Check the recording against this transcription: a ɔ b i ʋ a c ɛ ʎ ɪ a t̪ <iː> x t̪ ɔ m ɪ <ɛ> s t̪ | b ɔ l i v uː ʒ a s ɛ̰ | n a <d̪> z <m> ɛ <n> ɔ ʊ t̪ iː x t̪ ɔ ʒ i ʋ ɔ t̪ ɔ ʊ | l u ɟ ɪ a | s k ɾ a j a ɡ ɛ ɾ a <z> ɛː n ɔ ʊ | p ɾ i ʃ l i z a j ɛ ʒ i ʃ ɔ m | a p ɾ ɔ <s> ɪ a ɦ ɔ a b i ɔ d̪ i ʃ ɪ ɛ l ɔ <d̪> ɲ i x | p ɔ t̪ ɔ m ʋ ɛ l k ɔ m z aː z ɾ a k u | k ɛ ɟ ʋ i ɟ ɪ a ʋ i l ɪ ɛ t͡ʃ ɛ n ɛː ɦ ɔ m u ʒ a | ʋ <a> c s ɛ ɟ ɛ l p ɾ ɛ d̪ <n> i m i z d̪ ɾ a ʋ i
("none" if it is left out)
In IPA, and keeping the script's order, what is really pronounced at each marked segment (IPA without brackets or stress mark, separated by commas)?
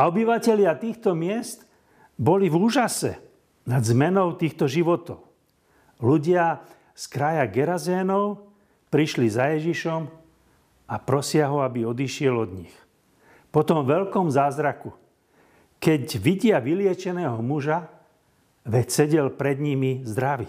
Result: iː, ɛ, d̪, m, n, z, s, d̪, ɛ, ɲ